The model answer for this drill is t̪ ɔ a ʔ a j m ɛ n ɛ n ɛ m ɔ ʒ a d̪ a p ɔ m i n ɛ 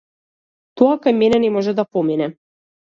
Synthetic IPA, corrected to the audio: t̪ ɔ a k a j m ɛ n ɛ n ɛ m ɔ ʒ ɛ d̪ a p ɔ m i n ɛ